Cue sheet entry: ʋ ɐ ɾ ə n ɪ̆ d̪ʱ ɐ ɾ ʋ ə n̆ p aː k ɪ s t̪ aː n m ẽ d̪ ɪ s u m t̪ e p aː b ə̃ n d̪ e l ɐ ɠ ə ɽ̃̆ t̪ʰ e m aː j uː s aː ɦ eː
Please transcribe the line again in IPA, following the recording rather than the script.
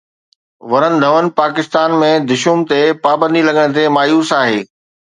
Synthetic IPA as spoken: ʋ ɐ ɾ ə n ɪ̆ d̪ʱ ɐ ʋ ə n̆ p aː k ɪ s t̪ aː n m ẽ d̪ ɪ ʃ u m t̪ e p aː b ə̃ n d̪ i l ɐ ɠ ə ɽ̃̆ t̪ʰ e m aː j uː s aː ɦ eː